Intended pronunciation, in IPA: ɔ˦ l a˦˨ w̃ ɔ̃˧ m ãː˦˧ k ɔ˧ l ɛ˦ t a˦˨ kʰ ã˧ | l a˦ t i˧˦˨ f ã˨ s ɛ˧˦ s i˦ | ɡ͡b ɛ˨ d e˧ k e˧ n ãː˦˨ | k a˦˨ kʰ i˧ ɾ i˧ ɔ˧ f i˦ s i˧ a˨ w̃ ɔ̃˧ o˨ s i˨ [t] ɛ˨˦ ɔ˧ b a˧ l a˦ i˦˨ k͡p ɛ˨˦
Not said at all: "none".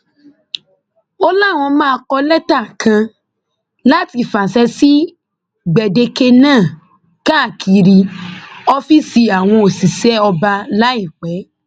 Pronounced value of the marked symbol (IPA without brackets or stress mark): s